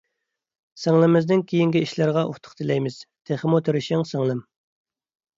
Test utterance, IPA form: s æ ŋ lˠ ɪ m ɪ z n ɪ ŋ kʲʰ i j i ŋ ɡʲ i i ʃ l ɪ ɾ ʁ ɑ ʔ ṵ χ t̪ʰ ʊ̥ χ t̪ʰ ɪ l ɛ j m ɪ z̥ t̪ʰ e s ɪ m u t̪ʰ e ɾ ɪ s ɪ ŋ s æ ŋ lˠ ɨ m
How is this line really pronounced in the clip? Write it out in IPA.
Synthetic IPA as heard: s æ ŋ lˠ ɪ m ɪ z n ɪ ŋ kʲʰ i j i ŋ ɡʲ i i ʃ l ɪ ɾ ʁ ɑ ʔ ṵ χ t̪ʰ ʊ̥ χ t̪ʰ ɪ l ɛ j m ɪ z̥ t̪ʰ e χ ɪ m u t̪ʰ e ɾ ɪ ʃ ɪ ŋ s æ ŋ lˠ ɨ m